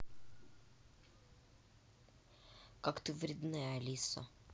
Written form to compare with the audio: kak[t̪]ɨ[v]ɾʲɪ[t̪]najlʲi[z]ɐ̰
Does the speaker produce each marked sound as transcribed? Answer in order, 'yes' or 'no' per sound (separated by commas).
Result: yes, yes, no, no